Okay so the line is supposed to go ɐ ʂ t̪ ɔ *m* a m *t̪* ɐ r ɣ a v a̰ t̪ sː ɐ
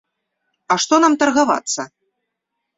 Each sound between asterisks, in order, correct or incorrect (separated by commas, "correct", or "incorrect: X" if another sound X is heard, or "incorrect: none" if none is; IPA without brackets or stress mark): incorrect: n, correct